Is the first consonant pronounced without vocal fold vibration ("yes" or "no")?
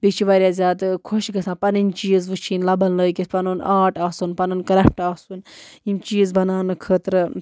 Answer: no